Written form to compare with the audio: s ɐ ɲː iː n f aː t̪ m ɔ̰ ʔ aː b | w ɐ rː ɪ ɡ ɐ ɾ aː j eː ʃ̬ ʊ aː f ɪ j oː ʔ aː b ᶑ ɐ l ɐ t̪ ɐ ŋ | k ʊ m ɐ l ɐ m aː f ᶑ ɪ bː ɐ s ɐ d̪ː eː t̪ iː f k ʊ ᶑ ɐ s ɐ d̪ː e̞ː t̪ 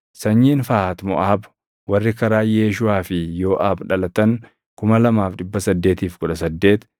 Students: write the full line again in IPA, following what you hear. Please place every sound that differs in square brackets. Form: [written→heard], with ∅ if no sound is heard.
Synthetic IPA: s ɐ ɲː iː n f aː t̪ m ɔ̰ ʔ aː b | w ɐ rː ɪ [ɡ→k] ɐ ɾ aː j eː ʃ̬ ʊ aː f ɪ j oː ʔ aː b ᶑ ɐ l ɐ t̪ ɐ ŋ | k ʊ m ɐ l ɐ m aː f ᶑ ɪ bː ɐ s ɐ d̪ː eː t̪ iː f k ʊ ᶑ ɐ s ɐ d̪ː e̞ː t̪